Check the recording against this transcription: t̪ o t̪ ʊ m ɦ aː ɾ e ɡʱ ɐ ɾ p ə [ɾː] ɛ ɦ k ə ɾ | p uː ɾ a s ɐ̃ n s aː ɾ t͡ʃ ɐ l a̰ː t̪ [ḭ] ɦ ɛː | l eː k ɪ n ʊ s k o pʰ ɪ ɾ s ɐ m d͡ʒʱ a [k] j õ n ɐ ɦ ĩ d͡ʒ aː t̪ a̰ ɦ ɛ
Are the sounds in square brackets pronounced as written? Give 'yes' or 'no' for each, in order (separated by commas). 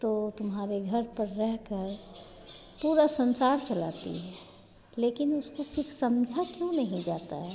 yes, yes, yes